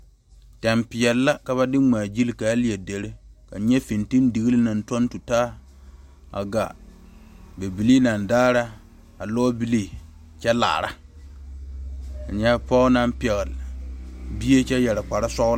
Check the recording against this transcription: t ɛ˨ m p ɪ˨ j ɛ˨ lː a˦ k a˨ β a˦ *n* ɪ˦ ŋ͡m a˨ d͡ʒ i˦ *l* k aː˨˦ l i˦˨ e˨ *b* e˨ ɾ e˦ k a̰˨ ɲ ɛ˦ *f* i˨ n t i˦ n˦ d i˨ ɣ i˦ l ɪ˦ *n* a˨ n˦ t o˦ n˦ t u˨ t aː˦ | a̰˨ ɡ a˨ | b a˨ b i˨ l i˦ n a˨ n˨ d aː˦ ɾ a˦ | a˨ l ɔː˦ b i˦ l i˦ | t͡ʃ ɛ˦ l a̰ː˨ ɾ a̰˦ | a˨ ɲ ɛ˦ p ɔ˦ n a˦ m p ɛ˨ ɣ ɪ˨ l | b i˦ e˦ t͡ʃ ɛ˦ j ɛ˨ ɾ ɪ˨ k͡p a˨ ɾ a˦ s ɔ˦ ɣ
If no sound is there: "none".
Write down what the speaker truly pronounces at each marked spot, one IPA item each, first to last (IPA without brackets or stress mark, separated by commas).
d, l, d, f, n